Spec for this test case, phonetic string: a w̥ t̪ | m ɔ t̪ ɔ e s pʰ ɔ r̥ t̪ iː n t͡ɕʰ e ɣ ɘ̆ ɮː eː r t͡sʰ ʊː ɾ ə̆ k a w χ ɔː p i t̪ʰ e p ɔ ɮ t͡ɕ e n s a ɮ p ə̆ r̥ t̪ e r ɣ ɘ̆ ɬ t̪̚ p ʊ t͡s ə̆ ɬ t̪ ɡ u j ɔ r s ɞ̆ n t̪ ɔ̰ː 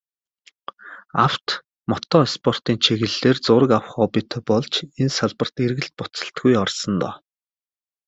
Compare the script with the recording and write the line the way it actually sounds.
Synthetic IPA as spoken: a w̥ t̪ | m ɔ t̪ ɔ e s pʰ ɔ r̥ t̪ iː n t͡ɕʰ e ɣ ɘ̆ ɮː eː r t͡s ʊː ɾ ə̆ k a w χ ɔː p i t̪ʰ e p ɔ ɮ t͡ɕ e n s a ɮ p ə̆ r̥ t̪ e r ɣ ɘ̆ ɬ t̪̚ p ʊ t͡s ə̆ ɬ t̪ ɡ u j ɔ r s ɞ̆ n t̪ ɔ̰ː